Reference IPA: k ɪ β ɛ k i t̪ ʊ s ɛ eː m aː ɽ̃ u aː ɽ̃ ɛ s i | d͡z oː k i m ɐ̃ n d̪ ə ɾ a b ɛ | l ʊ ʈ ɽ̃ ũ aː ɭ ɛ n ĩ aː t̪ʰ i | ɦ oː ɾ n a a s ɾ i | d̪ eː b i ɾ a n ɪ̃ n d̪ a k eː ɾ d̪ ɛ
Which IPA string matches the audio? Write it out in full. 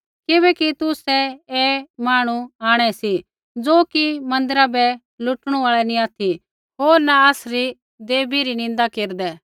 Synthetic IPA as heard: k ɪ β ɛ k i t̪ ʊ s ɛ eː m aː ɽ̃ u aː ɽ̃ ɛ s i | d͡z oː k i m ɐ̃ n d̪ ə ɾ a b ɛ | l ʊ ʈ ɽ̃ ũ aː ɭ ɛ n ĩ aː t̪ʰ i | ɦ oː ɾ n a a s ɾ i | d̪ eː b i ɾ i n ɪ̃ n d̪ a k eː ɾ d̪ ɛ